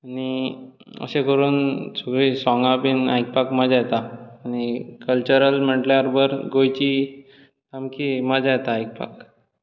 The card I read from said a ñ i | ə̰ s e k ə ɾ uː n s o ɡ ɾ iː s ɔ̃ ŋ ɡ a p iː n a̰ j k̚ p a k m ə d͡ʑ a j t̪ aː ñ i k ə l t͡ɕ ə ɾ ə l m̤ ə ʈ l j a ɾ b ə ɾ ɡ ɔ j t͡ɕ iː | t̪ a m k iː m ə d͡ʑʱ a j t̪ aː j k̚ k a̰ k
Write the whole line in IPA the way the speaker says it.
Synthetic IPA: a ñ i | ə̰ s e k ə ɾ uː n s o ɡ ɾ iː s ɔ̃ ŋ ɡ a p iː n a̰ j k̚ p a k m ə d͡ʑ a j t̪ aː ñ i k ə l t͡ɕ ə ɾ ə l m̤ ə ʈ l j a ɾ b ə ɾ ɡ o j t͡ɕ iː | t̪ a m k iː m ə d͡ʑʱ a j t̪ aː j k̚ p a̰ k